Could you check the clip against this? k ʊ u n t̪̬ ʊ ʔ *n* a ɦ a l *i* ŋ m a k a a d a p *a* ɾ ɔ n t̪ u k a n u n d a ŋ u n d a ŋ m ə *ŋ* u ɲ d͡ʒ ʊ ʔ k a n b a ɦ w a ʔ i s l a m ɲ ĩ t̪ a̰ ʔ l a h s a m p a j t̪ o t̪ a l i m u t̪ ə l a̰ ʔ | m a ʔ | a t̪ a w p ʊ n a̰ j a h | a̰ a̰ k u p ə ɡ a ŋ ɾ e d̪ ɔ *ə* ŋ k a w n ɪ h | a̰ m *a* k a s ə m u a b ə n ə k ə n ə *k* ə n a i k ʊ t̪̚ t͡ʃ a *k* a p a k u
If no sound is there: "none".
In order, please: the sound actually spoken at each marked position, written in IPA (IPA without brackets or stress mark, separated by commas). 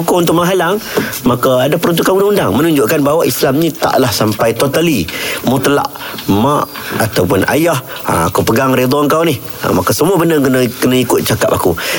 m, a, ə, n, ə, a, k, k